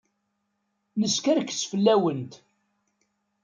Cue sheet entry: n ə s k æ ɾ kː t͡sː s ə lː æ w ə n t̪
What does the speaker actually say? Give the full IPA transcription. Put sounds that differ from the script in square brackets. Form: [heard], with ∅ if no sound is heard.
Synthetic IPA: n ə s k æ ɾ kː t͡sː [f] ə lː æ w ə n t̪